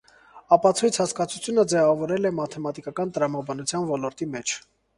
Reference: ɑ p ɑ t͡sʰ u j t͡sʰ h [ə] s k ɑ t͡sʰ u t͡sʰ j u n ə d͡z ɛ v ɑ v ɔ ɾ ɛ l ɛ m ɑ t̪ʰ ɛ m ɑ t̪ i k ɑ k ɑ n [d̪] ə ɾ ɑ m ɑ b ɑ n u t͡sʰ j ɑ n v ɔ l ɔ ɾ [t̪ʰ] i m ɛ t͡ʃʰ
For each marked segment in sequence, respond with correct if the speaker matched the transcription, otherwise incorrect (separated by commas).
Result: incorrect, incorrect, incorrect